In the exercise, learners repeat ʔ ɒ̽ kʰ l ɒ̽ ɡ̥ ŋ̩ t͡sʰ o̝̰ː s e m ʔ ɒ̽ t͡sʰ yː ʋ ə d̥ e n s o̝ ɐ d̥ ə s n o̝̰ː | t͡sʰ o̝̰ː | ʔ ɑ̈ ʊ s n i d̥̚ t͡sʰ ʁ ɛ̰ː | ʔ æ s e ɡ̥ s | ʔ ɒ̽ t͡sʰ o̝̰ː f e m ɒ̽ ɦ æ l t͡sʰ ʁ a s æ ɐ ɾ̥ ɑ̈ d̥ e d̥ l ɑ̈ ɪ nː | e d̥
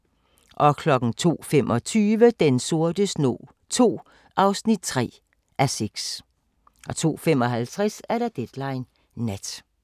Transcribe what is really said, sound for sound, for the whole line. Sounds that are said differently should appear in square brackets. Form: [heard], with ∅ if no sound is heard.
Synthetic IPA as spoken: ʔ ɒ̽ kʰ l ɒ̽ ɡ̥ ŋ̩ t͡sʰ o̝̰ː [f] e m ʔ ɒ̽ t͡sʰ yː ʋ ə d̥ e n s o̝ ɐ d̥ ə s n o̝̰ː | t͡sʰ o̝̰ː | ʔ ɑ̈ ʊ s n i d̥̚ t͡sʰ ʁ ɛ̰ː | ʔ æ s e ɡ̥ s | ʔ ɒ̽ t͡sʰ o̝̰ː f e m ɒ̽ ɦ æ l t͡sʰ ʁ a s æ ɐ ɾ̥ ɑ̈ d̥ e d̥ l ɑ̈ ɪ nː | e d̥

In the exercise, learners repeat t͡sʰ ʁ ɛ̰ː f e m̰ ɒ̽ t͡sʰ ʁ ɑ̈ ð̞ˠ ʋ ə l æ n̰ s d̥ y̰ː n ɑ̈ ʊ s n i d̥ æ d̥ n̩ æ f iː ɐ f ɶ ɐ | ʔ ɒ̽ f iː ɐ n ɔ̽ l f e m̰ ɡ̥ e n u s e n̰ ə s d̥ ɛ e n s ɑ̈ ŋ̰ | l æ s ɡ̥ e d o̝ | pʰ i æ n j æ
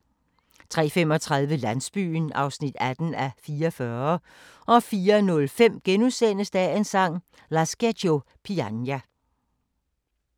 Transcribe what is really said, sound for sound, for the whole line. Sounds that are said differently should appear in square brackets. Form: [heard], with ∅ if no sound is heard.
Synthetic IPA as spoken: t͡sʰ ʁ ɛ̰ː f e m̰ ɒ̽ t͡sʰ ʁ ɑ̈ ð̞ˠ ʋ ə l æ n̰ s [b̥] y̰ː n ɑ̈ ʊ s n i d̥ æ d̥ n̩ æ f iː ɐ f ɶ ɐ | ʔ ɒ̽ f iː ɐ n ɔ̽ l f e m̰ ɡ̥ e n u s e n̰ ə s d̥ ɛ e n s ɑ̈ ŋ̰ | l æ s ɡ̥ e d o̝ | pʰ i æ n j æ

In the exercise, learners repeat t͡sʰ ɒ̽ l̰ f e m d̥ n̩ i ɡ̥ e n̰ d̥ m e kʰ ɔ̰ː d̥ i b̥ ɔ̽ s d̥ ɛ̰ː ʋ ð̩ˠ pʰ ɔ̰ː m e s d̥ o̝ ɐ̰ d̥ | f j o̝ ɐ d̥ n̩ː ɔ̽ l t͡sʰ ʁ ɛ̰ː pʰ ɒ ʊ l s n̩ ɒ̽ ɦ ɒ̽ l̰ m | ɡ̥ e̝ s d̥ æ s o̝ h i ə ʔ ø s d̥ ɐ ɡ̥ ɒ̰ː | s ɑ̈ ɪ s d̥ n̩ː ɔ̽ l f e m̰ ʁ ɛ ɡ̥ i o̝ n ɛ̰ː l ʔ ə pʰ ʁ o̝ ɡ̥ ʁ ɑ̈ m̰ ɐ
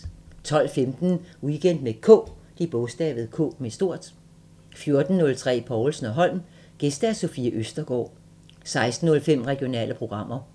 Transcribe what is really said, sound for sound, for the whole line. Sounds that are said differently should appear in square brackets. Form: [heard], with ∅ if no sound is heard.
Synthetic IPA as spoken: t͡sʰ ɒ̽ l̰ f e m d̥ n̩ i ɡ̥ e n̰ d̥ m e kʰ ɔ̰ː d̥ i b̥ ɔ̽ s d̥ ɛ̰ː ʋ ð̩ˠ [kʰ] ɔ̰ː m e s d̥ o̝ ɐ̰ d̥ | f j o̝ ɐ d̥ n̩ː ɔ̽ l t͡sʰ ʁ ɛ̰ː pʰ ɒ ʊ l s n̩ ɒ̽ ɦ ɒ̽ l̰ m | ɡ̥ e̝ s d̥ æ s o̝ [f] i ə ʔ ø s d̥ ɐ ɡ̥ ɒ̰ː | s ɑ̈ ɪ s d̥ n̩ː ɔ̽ l f e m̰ ʁ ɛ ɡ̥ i o̝ n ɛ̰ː l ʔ ə pʰ ʁ o̝ ɡ̥ ʁ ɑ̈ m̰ ɐ

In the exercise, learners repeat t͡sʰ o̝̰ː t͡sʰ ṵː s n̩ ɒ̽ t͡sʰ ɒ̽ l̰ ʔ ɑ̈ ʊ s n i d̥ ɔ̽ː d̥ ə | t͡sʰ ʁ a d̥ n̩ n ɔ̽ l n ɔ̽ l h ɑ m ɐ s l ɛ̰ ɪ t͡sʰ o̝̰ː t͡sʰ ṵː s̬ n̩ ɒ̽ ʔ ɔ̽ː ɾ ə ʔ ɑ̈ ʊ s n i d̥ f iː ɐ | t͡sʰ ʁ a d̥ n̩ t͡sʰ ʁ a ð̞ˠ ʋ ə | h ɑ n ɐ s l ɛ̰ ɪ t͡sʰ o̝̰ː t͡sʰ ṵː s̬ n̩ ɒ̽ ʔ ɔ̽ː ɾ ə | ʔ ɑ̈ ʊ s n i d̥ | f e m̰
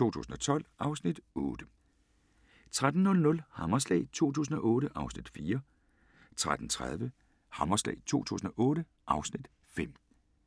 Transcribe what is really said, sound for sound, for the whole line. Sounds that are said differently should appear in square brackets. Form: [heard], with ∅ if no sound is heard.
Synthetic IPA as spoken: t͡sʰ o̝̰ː t͡sʰ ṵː s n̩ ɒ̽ t͡sʰ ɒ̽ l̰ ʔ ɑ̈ ʊ s n i d̥ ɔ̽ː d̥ ə | t͡sʰ ʁ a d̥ n̩ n ɔ̽ l n ɔ̽ l h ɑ m ɐ s l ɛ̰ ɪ t͡sʰ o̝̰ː t͡sʰ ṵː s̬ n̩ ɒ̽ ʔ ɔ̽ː ɾ ə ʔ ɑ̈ ʊ s n i d̥ f iː ɐ | t͡sʰ ʁ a d̥ n̩ t͡sʰ ʁ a ð̞ˠ ʋ ə | h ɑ [m] ɐ s l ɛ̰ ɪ t͡sʰ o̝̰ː t͡sʰ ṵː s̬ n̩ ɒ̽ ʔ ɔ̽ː ɾ ə | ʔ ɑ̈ ʊ s n i d̥ | f e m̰

